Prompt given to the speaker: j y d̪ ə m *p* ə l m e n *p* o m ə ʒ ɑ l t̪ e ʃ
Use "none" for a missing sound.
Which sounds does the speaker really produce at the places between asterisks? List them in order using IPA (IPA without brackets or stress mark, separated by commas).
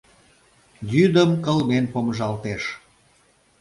k, p